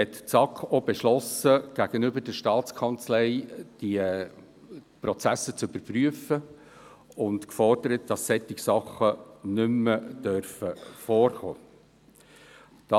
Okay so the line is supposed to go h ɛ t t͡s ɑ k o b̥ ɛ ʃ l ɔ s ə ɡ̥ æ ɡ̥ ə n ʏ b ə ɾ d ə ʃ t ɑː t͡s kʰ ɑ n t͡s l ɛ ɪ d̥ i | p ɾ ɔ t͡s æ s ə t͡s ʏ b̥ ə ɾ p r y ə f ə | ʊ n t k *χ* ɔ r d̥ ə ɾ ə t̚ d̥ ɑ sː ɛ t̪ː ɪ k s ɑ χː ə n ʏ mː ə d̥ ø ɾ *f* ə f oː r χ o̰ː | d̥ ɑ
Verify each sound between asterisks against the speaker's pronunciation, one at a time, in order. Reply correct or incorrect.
incorrect, correct

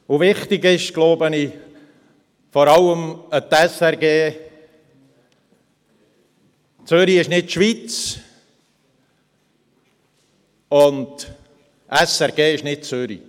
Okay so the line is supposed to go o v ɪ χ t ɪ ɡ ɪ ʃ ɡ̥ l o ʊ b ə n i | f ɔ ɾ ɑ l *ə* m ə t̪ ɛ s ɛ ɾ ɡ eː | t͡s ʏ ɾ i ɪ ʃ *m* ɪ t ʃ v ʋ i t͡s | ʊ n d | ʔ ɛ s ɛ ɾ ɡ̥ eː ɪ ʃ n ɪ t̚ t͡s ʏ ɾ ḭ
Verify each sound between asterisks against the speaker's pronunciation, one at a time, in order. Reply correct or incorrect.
correct, incorrect

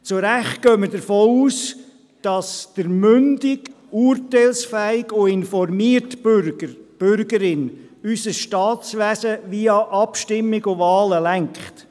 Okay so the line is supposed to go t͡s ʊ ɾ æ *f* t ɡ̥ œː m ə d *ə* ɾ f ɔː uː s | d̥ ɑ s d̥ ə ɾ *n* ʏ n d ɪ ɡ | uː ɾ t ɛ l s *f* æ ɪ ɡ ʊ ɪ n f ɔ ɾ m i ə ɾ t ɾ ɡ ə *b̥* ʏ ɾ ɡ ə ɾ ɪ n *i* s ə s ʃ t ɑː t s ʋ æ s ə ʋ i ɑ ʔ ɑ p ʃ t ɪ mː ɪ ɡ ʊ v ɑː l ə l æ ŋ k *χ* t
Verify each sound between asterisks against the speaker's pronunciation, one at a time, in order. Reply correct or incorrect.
incorrect, correct, incorrect, correct, correct, incorrect, correct

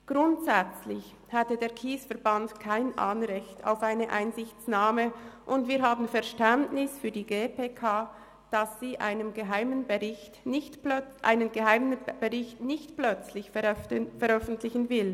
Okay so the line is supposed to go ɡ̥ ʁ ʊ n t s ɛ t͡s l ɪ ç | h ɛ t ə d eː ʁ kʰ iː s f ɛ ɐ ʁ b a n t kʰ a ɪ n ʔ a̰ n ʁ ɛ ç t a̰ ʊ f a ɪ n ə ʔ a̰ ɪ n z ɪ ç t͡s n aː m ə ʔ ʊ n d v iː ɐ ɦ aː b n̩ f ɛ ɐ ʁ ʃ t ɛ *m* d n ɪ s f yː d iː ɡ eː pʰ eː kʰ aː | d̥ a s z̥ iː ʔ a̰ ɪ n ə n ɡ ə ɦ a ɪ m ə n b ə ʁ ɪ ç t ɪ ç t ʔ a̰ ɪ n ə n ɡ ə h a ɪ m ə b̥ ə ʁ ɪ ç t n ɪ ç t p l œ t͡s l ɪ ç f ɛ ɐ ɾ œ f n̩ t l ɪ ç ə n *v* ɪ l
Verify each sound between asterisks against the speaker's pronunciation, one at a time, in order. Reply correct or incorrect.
incorrect, correct

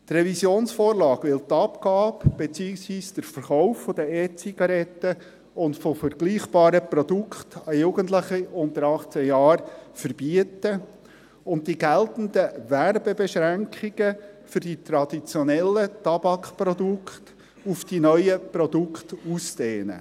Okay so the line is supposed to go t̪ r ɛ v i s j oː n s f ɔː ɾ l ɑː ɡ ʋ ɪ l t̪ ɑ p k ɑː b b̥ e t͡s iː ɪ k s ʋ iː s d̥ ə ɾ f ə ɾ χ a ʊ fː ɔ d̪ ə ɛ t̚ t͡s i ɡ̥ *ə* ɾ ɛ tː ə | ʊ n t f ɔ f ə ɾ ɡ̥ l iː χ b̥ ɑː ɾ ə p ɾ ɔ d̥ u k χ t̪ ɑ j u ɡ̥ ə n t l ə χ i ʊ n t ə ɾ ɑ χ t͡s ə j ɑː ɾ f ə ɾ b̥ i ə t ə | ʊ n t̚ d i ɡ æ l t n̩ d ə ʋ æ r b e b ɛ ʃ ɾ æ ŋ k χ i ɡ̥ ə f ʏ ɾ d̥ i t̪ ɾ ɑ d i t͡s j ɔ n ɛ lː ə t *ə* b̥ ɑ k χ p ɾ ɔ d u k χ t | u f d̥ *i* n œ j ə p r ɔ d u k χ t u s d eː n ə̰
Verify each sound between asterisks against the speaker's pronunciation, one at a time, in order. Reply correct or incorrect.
incorrect, incorrect, correct

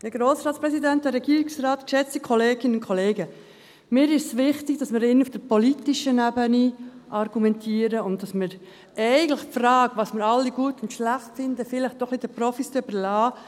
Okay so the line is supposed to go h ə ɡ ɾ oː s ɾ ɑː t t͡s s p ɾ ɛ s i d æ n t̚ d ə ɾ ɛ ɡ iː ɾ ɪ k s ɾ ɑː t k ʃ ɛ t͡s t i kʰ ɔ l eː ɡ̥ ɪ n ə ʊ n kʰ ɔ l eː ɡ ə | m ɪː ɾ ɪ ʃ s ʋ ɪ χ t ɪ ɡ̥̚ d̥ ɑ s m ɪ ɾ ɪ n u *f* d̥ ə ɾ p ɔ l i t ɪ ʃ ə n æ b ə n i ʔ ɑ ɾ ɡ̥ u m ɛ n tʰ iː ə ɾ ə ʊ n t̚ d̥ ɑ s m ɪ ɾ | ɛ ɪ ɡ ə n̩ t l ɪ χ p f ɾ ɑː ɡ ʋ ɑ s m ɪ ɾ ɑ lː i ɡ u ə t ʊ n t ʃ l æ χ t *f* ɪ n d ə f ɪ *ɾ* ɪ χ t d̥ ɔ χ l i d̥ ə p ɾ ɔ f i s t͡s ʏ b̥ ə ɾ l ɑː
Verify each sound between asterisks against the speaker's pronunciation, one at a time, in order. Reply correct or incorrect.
correct, correct, incorrect

